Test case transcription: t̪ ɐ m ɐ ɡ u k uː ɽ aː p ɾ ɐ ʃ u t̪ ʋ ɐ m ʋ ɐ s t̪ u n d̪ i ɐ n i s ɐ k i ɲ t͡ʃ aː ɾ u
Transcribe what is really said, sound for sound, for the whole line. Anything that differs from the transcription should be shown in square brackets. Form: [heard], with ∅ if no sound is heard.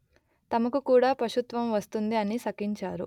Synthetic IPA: t̪ ɐ m ɐ [k] u k uː ɽ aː p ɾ ɐ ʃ u t̪ ʋ ɐ m ʋ ɐ s t̪ u n d̪ i ɐ n i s ɐ k i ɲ t͡ʃ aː ɾ u

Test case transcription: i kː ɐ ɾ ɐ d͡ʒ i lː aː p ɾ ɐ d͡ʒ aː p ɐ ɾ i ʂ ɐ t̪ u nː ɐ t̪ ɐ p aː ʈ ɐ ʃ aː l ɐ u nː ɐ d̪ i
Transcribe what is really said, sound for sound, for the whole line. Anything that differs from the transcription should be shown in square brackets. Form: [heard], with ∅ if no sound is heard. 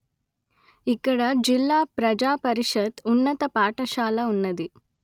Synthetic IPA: i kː ɐ [ɽ] ɐ d͡ʒ i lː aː p ɾ ɐ d͡ʒ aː p ɐ ɾ i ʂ ɐ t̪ u nː ɐ t̪ ɐ p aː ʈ ɐ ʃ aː l ɐ u nː ɐ d̪ i

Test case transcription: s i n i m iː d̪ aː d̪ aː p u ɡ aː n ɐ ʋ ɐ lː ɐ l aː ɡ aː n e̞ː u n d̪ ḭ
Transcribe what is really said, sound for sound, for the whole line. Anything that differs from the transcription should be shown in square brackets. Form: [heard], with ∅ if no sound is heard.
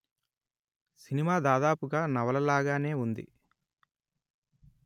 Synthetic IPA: s i n i m [aː] d̪ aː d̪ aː p u ɡ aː n ɐ ʋ ɐ [l] ɐ l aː ɡ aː n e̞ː u n d̪ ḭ

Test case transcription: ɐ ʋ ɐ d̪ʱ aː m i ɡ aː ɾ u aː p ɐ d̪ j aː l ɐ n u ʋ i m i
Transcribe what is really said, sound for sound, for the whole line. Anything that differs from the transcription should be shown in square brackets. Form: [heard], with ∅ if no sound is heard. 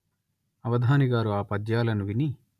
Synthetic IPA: ɐ ʋ ɐ d̪ʱ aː [n] i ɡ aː ɾ u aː p ɐ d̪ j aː l ɐ n u ʋ i [n] i

